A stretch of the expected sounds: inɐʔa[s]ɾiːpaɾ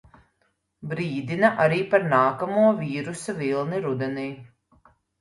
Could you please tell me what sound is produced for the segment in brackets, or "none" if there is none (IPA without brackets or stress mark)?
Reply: none